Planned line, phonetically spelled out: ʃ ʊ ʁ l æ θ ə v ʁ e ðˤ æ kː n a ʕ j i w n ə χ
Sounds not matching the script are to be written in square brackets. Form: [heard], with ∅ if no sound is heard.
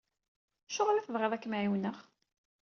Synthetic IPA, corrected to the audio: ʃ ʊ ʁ l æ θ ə v ʁ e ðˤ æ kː [m] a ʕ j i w n ə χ